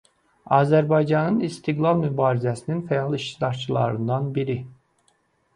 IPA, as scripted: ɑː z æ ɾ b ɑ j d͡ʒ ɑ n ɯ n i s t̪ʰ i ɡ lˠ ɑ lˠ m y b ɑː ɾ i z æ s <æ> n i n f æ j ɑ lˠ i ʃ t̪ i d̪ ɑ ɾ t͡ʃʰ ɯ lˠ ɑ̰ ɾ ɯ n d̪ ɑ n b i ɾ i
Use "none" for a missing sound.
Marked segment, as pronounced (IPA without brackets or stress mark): i